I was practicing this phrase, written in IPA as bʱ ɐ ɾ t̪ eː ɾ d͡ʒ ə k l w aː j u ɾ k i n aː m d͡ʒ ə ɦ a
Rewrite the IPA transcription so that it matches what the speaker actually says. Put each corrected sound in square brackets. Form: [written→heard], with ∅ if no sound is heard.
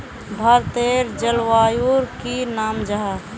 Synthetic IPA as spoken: bʱ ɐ ɾ t̪ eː ɾ d͡ʒ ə [k→∅] l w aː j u ɾ k i n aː m d͡ʒ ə ɦ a